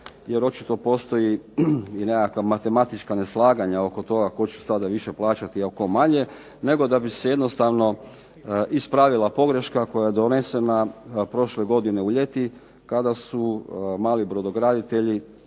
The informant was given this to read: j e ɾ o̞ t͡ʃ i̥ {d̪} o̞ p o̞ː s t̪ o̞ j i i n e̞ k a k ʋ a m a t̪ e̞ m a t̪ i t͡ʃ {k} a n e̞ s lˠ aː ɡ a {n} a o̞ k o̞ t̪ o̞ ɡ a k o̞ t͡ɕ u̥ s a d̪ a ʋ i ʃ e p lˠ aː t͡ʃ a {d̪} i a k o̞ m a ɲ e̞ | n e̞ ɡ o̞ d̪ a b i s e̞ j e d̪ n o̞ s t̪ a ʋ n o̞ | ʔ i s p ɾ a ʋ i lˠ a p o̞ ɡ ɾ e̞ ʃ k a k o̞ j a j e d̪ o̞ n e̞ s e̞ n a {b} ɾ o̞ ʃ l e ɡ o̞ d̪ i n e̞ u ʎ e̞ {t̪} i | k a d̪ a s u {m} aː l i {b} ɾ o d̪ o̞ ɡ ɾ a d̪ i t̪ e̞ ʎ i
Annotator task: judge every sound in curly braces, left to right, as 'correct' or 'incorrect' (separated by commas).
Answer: incorrect, correct, incorrect, incorrect, incorrect, correct, correct, correct